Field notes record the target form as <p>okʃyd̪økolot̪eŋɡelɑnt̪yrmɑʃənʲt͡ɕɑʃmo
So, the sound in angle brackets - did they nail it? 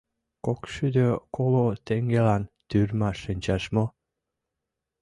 no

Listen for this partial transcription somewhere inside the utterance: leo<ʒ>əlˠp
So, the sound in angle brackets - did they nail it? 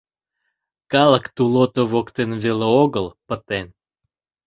no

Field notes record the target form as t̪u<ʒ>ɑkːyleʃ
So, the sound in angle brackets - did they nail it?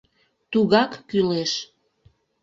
no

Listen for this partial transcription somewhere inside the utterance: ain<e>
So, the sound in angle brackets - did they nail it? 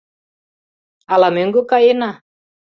no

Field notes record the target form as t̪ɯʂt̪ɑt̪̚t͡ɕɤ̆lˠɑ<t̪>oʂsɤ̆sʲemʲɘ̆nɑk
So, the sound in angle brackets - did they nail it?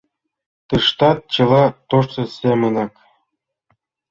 yes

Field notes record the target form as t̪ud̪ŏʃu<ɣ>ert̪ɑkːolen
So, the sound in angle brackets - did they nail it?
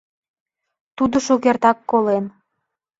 yes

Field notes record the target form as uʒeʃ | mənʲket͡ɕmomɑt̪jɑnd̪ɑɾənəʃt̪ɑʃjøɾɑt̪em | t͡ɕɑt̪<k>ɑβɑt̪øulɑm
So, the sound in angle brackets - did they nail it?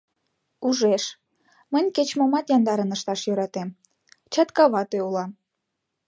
yes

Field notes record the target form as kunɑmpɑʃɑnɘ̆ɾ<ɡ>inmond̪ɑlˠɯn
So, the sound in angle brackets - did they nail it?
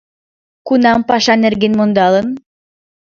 yes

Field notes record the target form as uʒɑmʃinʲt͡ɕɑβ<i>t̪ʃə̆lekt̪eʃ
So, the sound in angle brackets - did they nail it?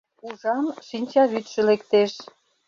no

